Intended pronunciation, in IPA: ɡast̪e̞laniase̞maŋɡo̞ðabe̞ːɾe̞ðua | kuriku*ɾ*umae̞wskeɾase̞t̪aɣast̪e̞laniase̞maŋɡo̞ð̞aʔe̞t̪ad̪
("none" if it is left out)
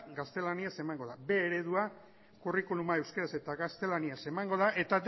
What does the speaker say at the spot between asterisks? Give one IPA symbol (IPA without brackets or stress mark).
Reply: l